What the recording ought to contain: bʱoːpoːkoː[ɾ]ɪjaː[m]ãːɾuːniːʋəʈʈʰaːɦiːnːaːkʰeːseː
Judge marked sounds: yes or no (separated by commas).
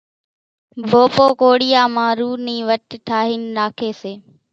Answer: no, yes